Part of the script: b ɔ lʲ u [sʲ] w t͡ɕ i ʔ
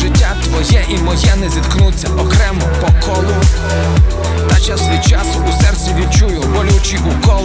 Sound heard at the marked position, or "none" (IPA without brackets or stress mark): none